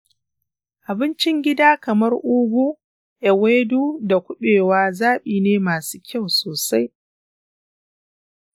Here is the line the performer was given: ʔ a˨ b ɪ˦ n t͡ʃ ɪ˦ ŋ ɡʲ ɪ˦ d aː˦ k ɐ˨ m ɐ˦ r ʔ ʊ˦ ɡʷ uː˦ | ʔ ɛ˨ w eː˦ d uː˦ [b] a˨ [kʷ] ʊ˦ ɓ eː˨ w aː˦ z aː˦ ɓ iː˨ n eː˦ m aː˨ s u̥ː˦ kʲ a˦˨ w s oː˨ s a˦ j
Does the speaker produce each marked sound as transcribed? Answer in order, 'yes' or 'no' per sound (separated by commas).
no, yes